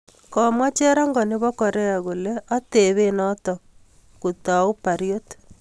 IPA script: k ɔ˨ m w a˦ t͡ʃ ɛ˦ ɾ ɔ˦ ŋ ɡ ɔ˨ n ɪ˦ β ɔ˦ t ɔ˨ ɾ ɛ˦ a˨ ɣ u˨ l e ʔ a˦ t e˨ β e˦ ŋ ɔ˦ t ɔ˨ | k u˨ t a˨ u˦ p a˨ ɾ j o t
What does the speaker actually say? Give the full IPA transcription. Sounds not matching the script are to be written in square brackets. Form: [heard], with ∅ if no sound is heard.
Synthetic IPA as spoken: k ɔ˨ m w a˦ t͡ʃ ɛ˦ ɾ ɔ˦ ŋ ɡ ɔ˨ n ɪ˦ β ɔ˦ [k] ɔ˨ ɾ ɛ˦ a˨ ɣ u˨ l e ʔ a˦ t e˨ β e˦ [n] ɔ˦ t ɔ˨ | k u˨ t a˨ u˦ p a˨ ɾ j o t

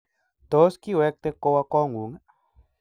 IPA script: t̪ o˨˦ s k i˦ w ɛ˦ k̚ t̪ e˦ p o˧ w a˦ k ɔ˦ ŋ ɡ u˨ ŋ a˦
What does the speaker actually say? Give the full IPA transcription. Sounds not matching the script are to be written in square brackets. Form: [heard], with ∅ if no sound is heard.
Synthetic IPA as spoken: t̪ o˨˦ s k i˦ w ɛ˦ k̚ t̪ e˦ [k] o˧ w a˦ k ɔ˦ ŋ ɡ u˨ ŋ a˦

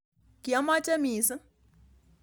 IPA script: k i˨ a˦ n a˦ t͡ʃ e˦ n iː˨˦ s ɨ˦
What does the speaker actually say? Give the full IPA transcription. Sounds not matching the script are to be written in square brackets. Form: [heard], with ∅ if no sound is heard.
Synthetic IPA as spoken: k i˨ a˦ [m] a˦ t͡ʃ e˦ [m] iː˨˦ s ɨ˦

